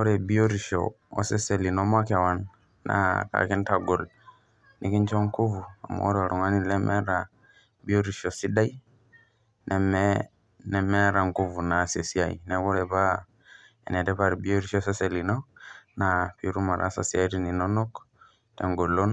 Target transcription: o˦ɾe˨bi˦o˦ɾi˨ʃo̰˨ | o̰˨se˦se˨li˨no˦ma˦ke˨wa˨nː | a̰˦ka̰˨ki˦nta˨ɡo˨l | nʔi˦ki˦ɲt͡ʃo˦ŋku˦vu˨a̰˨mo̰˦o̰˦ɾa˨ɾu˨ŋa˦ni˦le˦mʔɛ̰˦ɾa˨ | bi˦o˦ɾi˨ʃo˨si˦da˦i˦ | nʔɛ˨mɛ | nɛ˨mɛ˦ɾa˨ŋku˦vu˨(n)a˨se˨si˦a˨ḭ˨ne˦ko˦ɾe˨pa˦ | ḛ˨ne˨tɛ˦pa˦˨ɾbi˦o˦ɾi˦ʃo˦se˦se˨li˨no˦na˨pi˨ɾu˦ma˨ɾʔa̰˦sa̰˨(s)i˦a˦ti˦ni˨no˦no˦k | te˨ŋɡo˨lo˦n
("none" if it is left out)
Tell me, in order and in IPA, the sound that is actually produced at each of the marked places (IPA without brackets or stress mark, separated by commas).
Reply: n, s